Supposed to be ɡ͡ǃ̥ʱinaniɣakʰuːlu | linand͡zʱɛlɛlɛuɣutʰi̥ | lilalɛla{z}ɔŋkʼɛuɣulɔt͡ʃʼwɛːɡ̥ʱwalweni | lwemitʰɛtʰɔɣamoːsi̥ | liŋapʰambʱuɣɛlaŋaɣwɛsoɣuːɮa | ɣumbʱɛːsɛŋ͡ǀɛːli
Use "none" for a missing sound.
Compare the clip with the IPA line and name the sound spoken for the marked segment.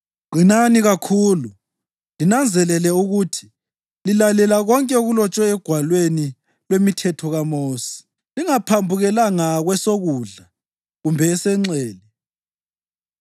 ɣ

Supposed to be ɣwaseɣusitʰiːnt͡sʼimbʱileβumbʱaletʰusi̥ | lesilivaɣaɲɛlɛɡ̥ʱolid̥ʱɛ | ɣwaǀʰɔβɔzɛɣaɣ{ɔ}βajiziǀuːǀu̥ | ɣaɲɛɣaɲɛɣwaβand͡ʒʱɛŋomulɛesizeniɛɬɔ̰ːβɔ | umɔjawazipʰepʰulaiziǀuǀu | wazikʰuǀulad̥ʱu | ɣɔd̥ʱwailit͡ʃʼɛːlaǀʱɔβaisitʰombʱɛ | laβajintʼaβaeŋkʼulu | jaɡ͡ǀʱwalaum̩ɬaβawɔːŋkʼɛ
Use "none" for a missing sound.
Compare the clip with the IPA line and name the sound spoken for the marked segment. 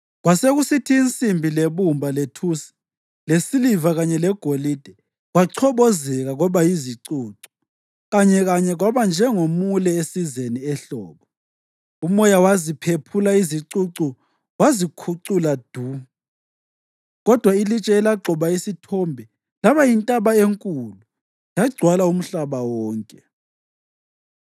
ɔ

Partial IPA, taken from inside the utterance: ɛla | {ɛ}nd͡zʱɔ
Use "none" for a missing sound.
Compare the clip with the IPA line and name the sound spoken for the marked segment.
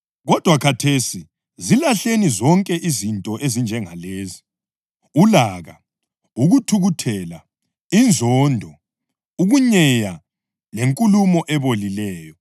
i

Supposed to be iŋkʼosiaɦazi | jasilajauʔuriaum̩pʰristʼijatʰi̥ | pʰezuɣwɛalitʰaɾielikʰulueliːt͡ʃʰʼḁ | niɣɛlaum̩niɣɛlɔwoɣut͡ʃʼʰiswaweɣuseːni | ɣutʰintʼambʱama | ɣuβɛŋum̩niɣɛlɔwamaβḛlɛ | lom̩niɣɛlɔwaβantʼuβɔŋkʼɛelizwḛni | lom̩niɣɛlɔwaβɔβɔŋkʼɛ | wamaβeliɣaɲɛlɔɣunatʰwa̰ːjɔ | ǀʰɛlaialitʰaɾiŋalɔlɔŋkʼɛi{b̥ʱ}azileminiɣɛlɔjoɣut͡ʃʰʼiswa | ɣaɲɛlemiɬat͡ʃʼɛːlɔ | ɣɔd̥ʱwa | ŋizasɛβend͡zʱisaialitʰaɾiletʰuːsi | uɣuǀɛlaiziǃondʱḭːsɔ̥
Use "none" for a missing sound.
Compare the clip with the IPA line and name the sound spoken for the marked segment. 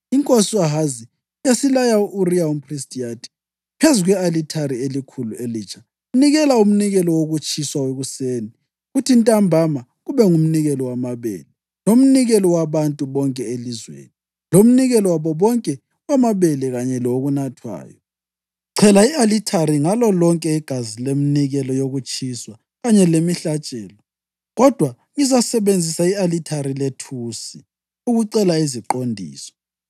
ɡ̥ʱ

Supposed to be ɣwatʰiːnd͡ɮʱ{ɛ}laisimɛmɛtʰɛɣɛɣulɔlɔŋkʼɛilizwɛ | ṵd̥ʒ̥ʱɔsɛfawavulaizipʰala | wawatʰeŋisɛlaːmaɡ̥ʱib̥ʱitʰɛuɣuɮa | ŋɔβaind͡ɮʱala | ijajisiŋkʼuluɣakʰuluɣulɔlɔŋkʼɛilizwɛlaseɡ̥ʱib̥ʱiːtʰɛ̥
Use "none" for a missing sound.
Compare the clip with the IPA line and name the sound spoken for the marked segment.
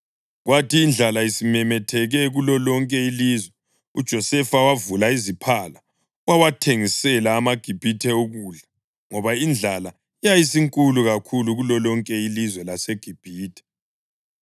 a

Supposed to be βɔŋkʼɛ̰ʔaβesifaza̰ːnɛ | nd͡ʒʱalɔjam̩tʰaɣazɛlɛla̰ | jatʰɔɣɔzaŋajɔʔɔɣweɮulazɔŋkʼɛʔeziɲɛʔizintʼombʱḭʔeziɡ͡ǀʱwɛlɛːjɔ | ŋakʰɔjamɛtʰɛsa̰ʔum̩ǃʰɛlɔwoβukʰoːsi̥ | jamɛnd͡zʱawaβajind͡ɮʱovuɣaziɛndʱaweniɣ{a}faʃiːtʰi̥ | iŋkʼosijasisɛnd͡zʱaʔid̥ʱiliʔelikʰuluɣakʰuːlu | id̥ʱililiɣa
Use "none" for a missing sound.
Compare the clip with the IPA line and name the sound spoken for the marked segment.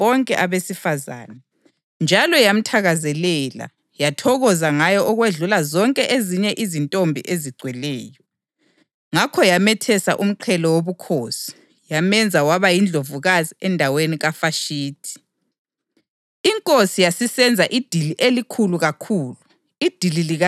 a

